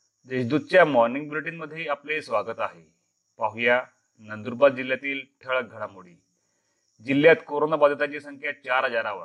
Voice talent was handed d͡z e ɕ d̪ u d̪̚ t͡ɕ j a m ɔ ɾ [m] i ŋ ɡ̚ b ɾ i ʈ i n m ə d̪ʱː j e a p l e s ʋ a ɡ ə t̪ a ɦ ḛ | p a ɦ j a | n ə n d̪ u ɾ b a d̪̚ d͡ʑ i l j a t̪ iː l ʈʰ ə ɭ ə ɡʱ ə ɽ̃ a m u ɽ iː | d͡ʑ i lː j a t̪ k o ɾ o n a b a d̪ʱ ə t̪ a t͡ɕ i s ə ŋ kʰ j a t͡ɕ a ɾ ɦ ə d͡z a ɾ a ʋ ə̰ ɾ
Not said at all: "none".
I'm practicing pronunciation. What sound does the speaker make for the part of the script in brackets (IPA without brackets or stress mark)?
n